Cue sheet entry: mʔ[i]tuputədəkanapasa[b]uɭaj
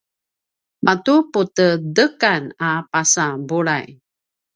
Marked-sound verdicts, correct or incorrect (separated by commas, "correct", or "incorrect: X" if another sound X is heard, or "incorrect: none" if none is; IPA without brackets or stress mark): incorrect: a, correct